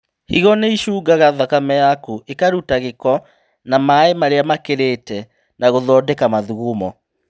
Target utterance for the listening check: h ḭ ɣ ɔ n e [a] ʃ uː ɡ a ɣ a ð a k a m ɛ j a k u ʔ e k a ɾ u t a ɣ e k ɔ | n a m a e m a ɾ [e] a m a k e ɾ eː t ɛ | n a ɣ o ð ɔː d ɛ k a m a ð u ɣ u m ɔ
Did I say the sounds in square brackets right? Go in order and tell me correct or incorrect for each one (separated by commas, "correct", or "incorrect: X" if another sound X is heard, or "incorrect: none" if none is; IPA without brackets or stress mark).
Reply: incorrect: i, correct